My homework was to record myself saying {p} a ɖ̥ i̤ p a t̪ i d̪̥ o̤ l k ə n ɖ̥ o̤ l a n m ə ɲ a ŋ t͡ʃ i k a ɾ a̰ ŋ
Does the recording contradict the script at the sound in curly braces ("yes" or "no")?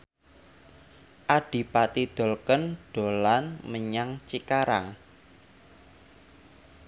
yes